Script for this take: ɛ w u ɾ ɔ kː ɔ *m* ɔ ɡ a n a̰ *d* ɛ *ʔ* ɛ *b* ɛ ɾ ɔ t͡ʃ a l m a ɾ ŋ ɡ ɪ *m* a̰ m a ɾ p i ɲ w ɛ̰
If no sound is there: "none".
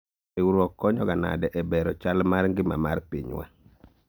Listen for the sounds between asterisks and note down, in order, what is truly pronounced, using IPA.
ɲ, d, ʔ, b, m

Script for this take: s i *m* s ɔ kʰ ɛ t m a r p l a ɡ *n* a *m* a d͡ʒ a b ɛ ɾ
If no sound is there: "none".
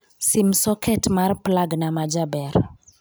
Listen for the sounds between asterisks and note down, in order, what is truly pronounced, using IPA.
m, n, m

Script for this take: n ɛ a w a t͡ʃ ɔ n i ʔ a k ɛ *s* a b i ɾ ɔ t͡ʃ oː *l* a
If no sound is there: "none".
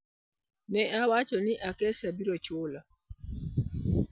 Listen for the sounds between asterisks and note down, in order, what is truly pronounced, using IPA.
s, l

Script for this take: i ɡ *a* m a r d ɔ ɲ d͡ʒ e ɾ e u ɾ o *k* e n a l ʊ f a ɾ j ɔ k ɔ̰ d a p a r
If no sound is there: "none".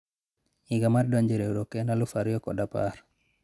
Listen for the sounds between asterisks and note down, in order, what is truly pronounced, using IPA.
a, k

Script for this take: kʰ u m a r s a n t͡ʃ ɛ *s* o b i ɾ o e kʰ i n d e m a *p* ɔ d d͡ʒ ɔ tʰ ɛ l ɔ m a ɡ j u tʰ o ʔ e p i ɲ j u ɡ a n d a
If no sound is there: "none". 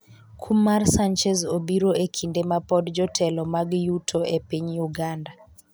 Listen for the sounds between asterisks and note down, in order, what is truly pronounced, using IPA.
z, p

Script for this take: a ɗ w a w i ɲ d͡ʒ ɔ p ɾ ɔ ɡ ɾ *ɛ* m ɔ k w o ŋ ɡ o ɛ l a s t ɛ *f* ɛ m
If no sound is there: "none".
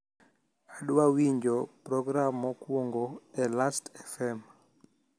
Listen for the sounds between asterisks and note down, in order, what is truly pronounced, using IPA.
a, f

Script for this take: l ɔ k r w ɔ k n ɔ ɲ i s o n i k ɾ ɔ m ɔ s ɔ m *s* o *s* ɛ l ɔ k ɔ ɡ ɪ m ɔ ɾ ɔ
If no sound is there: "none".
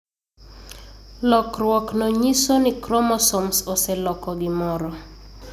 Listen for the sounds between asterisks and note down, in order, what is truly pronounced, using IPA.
s, s

